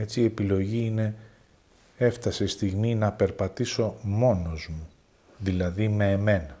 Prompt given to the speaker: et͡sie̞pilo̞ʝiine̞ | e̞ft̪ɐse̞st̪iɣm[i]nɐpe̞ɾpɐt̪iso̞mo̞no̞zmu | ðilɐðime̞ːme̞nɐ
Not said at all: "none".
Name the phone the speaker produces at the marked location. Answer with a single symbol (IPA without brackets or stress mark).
i